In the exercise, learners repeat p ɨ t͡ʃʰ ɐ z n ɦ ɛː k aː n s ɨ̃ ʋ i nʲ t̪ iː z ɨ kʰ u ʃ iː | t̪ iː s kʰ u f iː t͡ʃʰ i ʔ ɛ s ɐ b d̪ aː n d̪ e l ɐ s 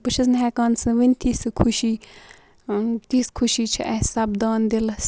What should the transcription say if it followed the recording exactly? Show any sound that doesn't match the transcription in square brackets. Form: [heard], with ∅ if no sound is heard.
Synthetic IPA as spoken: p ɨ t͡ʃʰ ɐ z n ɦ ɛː k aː n s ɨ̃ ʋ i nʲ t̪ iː [s] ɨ kʰ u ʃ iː | t̪ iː s kʰ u [ʃ] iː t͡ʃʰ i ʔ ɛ s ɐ b d̪ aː n d̪ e l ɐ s